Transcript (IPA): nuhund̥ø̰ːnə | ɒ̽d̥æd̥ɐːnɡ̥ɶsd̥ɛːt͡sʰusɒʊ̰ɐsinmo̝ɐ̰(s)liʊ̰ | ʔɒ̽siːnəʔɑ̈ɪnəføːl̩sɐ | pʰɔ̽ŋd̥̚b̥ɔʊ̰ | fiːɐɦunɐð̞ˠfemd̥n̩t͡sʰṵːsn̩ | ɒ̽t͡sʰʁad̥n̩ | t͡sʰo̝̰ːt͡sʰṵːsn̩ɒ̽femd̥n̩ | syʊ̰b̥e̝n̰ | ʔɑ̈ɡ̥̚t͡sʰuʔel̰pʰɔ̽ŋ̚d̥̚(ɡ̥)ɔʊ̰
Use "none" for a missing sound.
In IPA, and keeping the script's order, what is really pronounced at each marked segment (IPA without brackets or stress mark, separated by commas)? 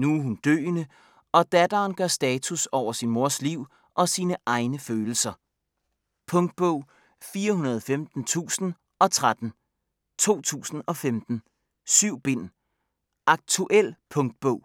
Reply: s, b̥